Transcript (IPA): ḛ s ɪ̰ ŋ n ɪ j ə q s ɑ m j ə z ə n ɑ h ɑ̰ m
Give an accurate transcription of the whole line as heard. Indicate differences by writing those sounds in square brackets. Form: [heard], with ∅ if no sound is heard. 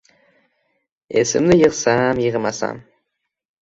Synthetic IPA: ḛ s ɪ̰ [m] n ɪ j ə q s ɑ m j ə [ʁ] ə [m] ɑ [s] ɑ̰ m